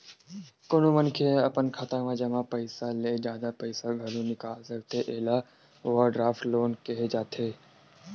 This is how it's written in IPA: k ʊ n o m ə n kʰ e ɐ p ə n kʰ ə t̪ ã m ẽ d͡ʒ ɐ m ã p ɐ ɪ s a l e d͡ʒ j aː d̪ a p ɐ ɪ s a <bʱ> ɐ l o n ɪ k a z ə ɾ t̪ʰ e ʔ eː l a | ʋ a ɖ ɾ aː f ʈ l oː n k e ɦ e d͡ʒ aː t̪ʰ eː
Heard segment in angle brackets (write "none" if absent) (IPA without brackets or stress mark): ɡʱ